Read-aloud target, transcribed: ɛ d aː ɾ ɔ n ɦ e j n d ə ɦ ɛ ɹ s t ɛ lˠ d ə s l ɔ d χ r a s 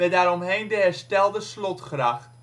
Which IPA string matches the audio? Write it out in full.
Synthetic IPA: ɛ d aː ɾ ɔ m ɦ e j n d ə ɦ ɛ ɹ s t ɛ lˠ d ə s l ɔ t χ r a χ